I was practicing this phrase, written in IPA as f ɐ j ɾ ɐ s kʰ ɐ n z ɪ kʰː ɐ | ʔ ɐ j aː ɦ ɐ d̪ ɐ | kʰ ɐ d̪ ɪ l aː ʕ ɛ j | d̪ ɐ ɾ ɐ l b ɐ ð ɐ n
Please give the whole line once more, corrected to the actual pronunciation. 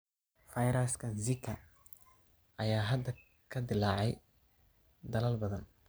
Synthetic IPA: f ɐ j ɾ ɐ s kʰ ɐ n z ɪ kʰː ɐ | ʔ ɐ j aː ɦ ɐ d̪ ɐ | kʰ ɐ d̪ ɪ l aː ʕ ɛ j | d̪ ɐ l ɐ l b ɐ ð ɐ n